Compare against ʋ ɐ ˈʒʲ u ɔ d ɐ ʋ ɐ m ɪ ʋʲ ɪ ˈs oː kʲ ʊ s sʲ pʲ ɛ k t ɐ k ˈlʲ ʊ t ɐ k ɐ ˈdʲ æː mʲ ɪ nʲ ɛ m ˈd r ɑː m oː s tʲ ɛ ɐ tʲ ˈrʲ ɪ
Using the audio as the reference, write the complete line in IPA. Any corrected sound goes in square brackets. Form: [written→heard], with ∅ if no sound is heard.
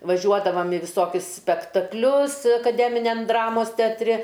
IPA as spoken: ʋ ɐ ˈʒʲ u ɔ d ɐ ʋ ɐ m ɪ ʋʲ ɪ ˈs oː kʲ ʊ s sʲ pʲ ɛ k t ɐ k ˈlʲ ʊ [t→s] ɐ k ɐ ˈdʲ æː mʲ ɪ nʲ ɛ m ˈd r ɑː m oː s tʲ ɛ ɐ tʲ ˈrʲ ɪ